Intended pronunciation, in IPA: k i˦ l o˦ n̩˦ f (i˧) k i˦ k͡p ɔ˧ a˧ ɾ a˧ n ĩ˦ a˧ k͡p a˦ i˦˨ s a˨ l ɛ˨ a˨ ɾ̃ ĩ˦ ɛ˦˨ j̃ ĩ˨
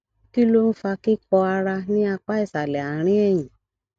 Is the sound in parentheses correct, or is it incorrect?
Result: incorrect